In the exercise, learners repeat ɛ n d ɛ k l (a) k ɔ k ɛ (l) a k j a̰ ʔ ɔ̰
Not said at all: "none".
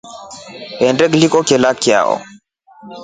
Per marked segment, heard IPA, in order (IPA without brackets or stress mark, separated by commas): i, l